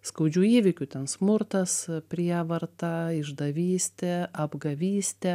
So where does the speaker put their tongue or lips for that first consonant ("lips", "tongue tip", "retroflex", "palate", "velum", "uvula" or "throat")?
tongue tip